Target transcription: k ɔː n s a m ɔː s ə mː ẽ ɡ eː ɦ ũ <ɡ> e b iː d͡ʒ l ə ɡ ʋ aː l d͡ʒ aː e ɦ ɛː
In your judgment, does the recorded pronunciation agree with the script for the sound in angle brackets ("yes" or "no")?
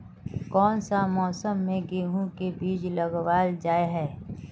no